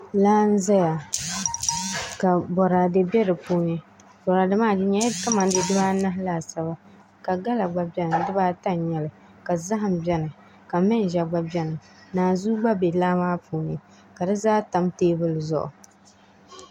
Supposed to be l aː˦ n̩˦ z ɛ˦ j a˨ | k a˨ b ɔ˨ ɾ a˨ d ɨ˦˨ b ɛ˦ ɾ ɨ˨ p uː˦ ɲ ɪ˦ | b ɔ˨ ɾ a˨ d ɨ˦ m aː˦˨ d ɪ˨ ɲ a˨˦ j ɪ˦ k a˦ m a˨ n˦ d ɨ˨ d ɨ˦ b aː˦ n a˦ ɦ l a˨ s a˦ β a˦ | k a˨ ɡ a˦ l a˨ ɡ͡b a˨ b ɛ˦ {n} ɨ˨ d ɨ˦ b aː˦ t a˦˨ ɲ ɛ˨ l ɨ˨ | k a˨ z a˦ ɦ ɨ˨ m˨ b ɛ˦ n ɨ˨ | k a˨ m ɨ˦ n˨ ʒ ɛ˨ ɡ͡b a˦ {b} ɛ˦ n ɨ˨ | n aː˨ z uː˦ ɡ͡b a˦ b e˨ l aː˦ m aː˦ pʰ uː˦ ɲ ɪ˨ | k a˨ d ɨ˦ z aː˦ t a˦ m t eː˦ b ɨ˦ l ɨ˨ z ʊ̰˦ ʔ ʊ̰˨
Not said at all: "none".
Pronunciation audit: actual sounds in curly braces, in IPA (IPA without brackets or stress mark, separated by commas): n, b